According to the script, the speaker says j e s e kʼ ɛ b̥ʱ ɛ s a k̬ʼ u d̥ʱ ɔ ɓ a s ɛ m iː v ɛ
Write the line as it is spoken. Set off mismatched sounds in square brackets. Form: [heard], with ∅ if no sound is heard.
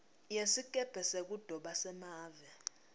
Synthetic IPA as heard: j e s [i] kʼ ɛ b̥ʱ ɛ s [e] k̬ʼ u d̥ʱ ɔ ɓ a s ɛ m [aː] v ɛ